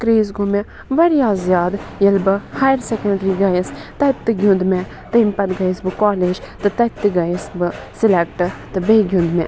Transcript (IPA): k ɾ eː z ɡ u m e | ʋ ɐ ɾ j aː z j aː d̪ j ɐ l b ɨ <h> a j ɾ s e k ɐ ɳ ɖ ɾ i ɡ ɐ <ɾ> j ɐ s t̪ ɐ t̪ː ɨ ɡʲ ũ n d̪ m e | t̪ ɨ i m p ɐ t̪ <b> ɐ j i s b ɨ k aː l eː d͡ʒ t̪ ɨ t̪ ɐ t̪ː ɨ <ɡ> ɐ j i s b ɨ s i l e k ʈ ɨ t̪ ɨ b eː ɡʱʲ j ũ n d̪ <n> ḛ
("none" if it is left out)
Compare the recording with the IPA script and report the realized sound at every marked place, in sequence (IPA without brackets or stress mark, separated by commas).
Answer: h, none, ɡ, ɡ, m